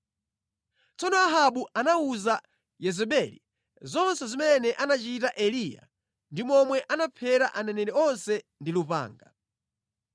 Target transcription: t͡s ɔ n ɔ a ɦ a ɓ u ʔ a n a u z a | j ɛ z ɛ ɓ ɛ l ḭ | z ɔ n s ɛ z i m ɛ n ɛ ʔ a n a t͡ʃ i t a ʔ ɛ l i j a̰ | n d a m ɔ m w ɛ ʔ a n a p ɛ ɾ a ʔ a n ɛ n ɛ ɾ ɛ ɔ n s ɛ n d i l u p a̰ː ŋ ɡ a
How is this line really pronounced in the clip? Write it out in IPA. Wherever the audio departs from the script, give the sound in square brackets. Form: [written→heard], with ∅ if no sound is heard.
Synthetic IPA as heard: t͡s ɔ n ɔ a ɦ a ɓ u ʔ a n a u z a | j ɛ z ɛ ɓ ɛ l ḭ | z ɔ n s ɛ z i m ɛ n ɛ ʔ a n a t͡ʃ i t a ʔ ɛ l i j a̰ | n d [a→i] m ɔ m w ɛ ʔ a n a [p→pʰ] ɛ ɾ a ʔ a n ɛ n ɛ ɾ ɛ ɔ n s ɛ n d i l u p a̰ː ŋ ɡ a